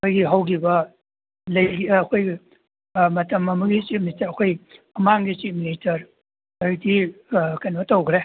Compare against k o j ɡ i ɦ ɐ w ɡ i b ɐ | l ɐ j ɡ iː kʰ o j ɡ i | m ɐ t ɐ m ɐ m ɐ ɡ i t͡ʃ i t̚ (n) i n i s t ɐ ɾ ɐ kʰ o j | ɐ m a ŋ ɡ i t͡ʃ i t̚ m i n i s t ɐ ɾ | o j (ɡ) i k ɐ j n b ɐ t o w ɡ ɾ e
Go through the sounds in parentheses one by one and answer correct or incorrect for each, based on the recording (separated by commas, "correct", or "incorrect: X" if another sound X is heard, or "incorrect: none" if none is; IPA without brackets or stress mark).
incorrect: m, incorrect: d